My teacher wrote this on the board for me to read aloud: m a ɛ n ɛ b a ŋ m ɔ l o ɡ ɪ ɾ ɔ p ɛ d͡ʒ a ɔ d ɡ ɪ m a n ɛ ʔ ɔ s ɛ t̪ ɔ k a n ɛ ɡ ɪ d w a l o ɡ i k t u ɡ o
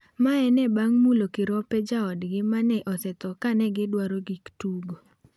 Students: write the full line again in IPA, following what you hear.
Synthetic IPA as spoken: m a ɛ n ɛ b a ŋ m u l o k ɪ ɾ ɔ p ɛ d͡ʒ a ɔ d ɡ ɪ m a n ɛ ʔ ɔ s ɛ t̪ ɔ k a n ɛ ɡ ɪ d w a ɾ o ɡ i k t u ɡ o